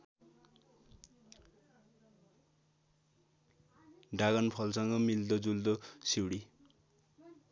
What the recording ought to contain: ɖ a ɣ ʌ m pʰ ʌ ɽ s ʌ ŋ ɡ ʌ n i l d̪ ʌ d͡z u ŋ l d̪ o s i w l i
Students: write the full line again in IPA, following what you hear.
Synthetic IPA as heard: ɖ a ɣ ʌ n pʰ ʌ l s ʌ ŋ ɡ ʌ m i l d̪ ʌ d͡z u l d̪ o s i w ɽ i